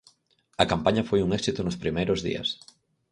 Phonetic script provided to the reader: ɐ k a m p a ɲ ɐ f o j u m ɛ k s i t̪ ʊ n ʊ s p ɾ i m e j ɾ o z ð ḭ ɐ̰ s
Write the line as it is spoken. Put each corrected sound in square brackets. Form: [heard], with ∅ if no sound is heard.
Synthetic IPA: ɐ k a m p a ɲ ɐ f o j u [ŋ] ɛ k s i t̪ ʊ n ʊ s p ɾ i m e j ɾ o z ð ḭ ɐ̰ s